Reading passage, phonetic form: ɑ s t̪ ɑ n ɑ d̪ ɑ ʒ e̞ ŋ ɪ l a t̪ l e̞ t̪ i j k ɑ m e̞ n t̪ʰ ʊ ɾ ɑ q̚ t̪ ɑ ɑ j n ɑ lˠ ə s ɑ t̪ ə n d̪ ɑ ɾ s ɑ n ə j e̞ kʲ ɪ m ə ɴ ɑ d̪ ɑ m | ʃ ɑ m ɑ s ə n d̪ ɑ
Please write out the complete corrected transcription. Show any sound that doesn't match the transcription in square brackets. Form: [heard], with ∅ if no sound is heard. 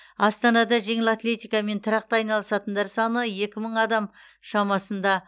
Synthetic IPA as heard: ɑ s t̪ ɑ n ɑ d̪ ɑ ʒ e̞ ŋ ɪ l a t̪ l e̞ t̪ i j k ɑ m e̞ n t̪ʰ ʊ ɾ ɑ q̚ t̪ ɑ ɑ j n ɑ lˠ ə s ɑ t̪ ə n d̪ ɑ ɾ s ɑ n ə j e̞ kʲ ɪ m ə ɴ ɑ d̪ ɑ m | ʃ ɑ m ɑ s ə n d̪ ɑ